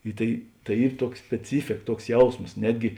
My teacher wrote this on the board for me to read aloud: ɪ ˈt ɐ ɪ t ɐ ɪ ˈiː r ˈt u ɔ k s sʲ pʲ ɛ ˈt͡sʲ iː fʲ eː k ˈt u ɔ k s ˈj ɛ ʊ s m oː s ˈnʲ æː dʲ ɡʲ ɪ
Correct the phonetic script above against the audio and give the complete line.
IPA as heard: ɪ ˈt ɐ ɪ t ɐ ɪ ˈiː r ˈt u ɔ k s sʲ pʲ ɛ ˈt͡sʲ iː fʲ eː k ˈt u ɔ k s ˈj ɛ ʊ s m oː s ˈnʲ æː dʲ ɡʲ ɪ